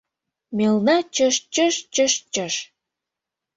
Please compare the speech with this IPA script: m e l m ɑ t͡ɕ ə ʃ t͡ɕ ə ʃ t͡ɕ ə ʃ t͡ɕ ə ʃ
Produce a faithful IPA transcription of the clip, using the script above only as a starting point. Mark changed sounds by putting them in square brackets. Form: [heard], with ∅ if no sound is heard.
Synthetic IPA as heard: m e l [n] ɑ t͡ɕ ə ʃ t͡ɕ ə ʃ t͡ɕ ə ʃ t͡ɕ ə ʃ